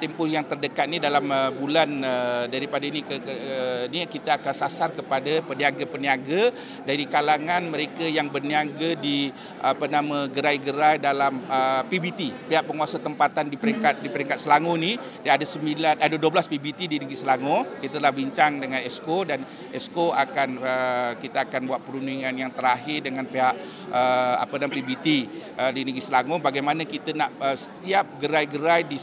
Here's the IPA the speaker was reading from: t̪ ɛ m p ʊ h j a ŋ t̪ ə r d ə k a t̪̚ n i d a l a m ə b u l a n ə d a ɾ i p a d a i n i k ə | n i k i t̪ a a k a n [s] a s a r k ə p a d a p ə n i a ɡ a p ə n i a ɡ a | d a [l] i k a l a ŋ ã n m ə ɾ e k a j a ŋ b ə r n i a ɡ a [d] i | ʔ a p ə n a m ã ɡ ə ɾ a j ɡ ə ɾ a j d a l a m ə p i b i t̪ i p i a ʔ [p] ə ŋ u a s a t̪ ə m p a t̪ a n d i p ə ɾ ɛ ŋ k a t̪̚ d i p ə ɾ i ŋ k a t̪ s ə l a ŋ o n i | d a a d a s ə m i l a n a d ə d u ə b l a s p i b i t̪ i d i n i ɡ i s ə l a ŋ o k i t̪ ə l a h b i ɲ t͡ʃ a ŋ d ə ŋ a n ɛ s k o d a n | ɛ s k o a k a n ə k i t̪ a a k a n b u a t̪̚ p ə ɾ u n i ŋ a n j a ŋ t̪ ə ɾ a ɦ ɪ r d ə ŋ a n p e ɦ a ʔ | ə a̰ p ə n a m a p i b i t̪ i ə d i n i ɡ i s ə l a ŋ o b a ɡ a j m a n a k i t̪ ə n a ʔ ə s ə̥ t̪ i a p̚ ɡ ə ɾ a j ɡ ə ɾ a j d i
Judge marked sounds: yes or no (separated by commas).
yes, no, yes, yes